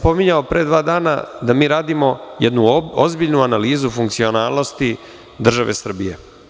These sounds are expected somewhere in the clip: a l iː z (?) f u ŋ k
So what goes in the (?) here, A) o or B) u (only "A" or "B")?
B